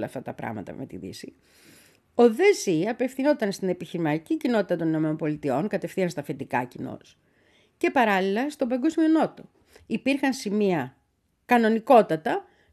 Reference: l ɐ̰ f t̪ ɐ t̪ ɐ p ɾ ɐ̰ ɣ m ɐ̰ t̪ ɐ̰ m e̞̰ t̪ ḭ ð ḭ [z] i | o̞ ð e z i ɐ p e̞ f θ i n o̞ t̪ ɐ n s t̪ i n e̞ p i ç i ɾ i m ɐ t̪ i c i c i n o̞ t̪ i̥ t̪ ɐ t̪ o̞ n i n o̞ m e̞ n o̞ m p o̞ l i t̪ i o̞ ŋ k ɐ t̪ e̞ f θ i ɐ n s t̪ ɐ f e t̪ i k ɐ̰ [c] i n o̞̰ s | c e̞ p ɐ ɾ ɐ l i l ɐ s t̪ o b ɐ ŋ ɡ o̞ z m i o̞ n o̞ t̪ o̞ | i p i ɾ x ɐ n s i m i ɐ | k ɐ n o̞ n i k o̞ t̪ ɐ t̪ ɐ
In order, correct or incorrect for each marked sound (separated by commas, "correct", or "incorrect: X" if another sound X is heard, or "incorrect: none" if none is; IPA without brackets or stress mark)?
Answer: incorrect: s, correct